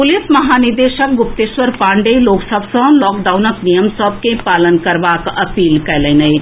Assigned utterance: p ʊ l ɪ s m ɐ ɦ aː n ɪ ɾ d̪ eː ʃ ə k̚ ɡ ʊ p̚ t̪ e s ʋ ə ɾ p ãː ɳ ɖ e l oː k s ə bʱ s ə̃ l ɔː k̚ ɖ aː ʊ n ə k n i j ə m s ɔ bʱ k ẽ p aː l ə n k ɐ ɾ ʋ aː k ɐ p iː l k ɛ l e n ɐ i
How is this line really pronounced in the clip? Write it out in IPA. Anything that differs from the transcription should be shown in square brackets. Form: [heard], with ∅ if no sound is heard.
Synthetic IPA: p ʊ l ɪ s m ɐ ɦ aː n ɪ ɾ d̪ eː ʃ ə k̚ ɡ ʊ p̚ t̪ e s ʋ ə ɾ p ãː ɳ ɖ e l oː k s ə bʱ s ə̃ l ɔː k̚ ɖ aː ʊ n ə k n i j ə m s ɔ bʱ k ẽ p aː l ə n k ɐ ɾ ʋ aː k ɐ p iː l k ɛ l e n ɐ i